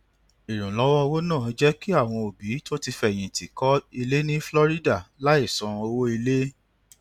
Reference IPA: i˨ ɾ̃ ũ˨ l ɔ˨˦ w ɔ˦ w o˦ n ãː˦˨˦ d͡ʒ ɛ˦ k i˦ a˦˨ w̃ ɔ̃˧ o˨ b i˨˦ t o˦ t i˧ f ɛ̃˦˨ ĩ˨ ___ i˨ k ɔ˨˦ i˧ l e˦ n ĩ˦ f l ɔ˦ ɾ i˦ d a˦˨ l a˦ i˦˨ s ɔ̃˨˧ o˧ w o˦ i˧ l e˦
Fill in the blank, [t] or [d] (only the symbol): t